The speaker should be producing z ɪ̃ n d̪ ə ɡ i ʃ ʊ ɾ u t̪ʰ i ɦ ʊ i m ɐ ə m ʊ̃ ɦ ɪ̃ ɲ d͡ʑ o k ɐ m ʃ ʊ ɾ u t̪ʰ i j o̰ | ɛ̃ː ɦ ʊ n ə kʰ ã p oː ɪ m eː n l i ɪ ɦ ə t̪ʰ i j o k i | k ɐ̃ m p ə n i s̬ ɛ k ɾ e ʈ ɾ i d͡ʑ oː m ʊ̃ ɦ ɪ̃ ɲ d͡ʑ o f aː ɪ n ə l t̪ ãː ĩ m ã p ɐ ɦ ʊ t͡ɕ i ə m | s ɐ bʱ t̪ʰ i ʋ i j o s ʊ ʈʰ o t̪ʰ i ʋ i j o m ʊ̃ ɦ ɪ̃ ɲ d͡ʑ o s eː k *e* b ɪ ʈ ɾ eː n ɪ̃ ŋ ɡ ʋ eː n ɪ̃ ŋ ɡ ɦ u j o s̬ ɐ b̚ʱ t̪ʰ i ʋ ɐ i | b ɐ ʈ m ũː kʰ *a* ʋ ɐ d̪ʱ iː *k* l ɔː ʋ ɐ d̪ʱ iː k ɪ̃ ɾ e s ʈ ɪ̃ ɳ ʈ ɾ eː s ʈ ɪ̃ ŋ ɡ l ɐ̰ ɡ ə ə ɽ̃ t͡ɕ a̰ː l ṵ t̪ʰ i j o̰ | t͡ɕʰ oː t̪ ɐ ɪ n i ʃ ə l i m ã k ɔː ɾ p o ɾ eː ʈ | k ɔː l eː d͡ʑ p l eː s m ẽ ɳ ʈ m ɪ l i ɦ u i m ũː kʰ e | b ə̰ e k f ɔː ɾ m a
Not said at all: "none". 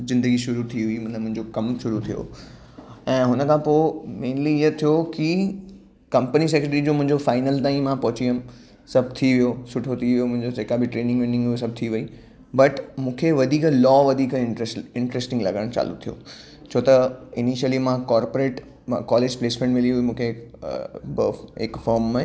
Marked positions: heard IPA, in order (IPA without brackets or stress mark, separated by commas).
a, e, k